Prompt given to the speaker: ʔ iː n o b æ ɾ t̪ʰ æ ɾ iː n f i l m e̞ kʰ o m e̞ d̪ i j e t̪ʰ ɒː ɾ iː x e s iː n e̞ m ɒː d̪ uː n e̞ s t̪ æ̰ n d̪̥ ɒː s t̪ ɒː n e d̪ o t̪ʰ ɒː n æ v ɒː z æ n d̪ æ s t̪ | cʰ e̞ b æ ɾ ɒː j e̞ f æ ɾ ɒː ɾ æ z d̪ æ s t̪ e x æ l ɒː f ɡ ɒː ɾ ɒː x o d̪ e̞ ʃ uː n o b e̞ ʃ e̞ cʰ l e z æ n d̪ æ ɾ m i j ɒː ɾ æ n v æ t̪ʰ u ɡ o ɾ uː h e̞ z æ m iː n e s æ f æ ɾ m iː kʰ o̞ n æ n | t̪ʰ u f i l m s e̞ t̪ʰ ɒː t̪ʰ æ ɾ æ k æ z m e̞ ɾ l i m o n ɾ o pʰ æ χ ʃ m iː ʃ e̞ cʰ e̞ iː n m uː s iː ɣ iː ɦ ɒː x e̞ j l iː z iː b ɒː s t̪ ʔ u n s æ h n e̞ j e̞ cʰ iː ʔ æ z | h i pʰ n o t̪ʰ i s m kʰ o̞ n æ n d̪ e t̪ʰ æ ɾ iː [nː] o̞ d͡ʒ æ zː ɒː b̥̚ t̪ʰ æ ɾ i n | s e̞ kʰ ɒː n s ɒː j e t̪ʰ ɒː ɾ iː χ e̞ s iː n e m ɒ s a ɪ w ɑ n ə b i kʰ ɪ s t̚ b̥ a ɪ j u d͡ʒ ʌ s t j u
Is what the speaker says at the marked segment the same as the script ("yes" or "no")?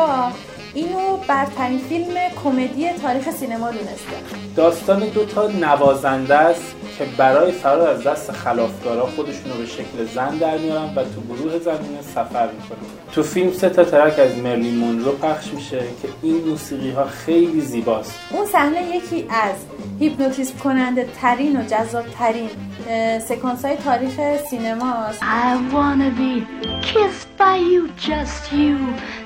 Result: no